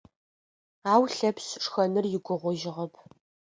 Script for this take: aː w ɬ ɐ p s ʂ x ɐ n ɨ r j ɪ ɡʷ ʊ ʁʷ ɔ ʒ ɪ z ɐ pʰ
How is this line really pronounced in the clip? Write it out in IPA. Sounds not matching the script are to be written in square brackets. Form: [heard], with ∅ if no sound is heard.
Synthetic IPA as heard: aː w ɬ ɐ p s ʂ x ɐ n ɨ r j ɪ ɡʷ ʊ ʁʷ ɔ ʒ ɪ [ʁ] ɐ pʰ